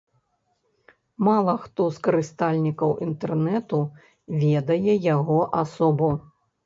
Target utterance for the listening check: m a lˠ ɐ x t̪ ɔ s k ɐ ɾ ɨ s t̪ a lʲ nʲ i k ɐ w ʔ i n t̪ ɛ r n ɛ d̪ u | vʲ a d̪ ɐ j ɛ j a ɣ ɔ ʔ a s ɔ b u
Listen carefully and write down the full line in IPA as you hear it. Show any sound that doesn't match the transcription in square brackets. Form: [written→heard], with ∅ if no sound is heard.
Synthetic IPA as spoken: m a lˠ ɐ x t̪ ɔ s k ɐ ɾ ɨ s t̪ a lʲ nʲ i k ɐ w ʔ i n t̪ ɛ r n ɛ [d̪→t̪] u | vʲ [a→ɛ] d̪ ɐ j ɛ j a ɣ ɔ ʔ a s ɔ b u